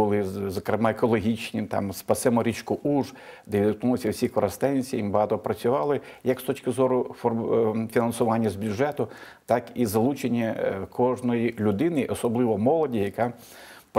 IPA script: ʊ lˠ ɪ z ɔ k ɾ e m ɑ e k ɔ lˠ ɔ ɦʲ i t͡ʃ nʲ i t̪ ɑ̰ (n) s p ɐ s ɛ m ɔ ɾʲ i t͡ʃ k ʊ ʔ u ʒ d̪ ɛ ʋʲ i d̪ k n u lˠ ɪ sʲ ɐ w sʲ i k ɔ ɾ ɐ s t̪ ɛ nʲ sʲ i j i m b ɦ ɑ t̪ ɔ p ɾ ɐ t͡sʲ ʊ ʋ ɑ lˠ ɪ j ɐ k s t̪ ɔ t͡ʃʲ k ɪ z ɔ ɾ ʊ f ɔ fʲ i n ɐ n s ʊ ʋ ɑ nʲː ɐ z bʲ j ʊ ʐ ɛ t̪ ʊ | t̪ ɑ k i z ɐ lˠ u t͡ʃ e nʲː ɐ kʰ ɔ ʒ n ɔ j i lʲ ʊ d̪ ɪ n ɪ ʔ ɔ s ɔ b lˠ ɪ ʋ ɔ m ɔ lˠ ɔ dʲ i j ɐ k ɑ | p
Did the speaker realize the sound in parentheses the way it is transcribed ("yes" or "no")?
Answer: no